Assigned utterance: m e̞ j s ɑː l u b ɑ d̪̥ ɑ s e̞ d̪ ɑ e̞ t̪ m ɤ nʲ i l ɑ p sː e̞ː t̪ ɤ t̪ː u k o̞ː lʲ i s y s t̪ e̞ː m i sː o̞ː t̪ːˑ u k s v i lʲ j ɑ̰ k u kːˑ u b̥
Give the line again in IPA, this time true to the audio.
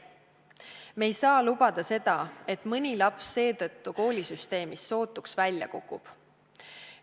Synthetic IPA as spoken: m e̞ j s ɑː l u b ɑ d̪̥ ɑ s e̞ d̪ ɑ e̞ t̪ m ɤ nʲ i l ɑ p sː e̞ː t̪ ɤ t̪ː u k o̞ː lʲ i s y s t̪ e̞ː m i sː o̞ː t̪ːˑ u k s v æ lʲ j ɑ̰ k u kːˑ u b̥